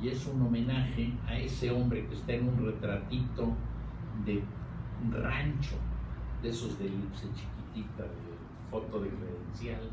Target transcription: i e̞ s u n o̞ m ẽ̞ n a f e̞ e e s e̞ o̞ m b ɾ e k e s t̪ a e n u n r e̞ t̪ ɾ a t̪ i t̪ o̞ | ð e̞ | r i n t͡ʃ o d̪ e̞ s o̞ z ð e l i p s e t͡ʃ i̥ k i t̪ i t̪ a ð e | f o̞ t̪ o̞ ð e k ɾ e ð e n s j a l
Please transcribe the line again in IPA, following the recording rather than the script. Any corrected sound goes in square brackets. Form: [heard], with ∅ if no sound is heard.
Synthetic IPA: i e̞ s u n o̞ m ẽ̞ n a [x] e̞ [a] e s e̞ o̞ m b ɾ e k e s t̪ a e n u n r e̞ t̪ ɾ a t̪ i t̪ o̞ | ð e̞ | r [a] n t͡ʃ o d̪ e̞ s o̞ z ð e l i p s e t͡ʃ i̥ k i t̪ i t̪ a ð e | f o̞ t̪ o̞ ð e k ɾ e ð e n s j a l